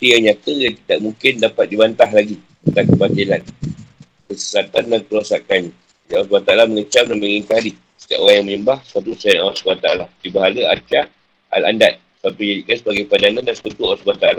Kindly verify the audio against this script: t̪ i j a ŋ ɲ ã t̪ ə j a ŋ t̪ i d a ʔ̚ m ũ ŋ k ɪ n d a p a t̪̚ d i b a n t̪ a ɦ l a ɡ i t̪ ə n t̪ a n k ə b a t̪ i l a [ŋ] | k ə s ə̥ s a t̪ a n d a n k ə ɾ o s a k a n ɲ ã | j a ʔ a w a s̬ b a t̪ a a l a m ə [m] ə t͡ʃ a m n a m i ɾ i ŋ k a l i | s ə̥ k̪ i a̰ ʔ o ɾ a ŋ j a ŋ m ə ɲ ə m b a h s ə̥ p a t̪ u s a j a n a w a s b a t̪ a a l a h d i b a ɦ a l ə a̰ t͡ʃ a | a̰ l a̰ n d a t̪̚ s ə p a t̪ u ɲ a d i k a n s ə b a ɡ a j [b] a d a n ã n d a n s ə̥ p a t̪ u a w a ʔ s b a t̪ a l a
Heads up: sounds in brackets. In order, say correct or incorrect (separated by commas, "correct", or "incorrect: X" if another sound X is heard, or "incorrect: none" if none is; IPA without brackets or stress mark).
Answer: incorrect: n, incorrect: ŋ, incorrect: p